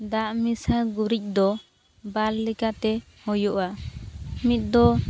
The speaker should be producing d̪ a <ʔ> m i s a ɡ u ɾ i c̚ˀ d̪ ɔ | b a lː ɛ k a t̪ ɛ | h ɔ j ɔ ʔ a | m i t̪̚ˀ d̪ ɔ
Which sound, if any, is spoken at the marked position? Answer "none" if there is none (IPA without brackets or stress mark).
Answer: ʔ